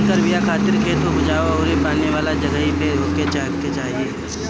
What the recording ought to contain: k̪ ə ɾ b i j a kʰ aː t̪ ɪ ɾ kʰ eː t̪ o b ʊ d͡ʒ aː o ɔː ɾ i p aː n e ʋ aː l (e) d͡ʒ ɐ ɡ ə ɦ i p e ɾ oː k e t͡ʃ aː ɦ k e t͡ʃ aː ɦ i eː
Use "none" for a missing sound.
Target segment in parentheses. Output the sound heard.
a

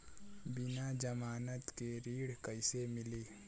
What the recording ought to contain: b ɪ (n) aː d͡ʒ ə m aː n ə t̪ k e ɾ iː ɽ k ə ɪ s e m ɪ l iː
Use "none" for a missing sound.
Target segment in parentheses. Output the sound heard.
n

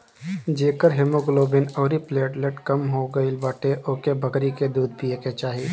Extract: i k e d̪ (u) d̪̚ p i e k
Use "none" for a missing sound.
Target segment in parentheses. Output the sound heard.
uː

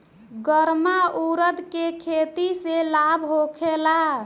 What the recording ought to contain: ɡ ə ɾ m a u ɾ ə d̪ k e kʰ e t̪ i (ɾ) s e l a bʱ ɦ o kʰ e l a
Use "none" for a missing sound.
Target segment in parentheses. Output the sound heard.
none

